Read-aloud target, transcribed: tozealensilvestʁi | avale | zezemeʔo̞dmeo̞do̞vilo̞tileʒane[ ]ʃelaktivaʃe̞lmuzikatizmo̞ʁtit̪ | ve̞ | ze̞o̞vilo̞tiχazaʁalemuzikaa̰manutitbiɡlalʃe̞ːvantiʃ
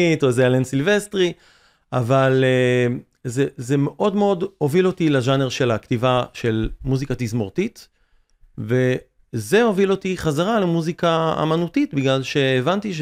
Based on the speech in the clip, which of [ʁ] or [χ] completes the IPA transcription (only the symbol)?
ʁ